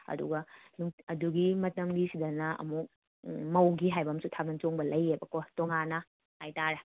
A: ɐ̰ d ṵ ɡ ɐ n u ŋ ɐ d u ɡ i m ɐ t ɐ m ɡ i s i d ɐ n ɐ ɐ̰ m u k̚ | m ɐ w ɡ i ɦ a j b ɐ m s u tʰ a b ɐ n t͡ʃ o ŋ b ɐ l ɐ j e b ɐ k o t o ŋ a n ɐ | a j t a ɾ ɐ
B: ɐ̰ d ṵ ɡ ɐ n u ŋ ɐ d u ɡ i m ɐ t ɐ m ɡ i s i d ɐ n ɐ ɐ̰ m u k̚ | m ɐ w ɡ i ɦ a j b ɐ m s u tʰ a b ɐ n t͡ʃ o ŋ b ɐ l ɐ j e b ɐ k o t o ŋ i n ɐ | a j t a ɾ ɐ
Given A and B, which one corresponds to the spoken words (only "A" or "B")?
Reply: A